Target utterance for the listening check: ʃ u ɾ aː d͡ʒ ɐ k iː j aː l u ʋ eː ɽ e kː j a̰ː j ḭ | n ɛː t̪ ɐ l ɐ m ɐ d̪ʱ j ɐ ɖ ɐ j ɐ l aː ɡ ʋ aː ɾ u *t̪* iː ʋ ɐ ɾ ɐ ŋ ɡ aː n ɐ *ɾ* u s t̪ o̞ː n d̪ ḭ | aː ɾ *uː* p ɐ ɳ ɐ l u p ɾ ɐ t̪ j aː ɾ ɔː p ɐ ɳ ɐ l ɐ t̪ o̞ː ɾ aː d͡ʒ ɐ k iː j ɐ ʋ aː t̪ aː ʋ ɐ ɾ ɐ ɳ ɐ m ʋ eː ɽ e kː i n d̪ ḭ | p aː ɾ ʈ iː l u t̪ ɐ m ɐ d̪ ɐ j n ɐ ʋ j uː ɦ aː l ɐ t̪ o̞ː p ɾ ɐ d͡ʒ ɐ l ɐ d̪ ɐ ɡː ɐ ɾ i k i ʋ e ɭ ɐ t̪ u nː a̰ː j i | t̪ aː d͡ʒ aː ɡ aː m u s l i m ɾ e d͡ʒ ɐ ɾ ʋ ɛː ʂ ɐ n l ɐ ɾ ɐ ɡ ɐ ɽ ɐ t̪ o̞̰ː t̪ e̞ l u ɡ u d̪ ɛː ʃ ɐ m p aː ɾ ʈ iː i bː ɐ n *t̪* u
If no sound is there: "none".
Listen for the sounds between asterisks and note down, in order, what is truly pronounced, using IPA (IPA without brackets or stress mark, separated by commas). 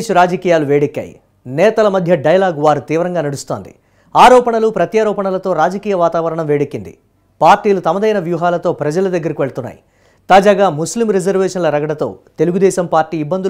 t̪, ɽ, ɔː, d̪